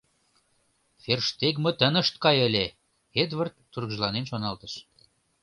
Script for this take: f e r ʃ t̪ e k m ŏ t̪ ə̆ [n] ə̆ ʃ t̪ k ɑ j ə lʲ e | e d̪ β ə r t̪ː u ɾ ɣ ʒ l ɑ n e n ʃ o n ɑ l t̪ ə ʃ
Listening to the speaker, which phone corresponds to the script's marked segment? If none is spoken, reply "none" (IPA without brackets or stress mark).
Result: n